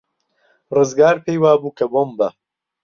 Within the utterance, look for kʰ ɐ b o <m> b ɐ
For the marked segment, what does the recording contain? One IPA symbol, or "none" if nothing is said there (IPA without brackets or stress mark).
m